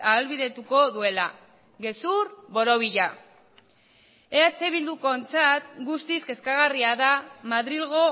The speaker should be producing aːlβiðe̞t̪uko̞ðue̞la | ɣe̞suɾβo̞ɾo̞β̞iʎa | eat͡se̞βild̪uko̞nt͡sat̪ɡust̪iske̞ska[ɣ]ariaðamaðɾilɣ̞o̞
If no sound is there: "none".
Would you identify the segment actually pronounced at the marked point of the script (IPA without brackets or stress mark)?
ɣ